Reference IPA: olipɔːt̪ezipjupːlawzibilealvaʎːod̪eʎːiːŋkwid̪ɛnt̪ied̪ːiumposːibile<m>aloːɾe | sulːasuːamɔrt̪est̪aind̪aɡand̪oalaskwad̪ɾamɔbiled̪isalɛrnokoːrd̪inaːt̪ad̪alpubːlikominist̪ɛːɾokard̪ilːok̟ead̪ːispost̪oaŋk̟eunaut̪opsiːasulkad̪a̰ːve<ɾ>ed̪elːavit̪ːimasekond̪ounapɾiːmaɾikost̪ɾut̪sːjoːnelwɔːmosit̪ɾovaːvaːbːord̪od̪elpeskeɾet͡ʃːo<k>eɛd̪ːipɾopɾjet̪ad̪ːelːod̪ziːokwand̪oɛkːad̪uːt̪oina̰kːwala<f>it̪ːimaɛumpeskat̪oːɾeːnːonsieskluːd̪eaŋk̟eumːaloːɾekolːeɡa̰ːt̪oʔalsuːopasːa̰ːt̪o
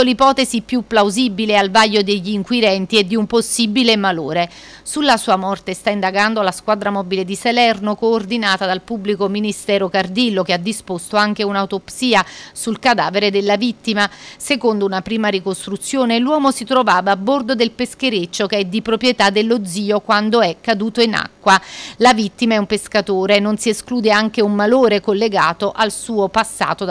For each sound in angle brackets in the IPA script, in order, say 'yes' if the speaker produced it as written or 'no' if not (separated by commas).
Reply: yes, yes, yes, no